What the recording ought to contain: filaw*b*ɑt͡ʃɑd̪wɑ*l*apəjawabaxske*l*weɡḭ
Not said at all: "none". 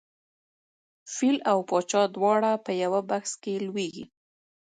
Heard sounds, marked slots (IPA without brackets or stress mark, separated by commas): p, ɽ, l